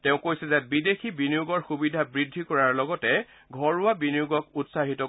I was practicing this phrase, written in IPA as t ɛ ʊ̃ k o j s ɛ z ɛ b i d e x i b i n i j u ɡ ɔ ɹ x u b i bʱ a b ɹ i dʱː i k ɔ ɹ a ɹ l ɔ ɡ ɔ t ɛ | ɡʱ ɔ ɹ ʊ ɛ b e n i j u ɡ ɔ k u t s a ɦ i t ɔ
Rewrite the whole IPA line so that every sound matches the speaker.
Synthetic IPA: t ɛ ʊ̃ k o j s ɛ z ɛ b i d e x i b i n i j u ɡ ɔ ɹ x u b i dʱ a b ɹ i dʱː i k ɔ ɹ a ɹ l ɔ ɡ ɔ t ɛ | ɡʱ ɔ ɹ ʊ a b i n i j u ɡ ɔ k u t s a ɦ i t ɔ